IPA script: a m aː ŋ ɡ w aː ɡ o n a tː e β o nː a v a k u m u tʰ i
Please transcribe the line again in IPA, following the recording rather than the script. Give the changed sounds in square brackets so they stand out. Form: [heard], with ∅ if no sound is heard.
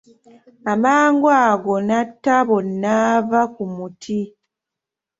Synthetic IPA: a m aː ŋ ɡ w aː ɡ o n a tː [a] β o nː a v a k u m u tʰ i